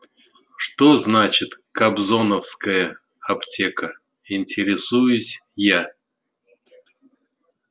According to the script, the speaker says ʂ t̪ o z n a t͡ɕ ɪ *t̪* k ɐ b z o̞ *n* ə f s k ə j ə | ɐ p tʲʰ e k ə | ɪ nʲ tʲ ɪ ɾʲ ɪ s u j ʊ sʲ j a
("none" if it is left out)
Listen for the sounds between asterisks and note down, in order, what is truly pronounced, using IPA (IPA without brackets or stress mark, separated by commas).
t̪, n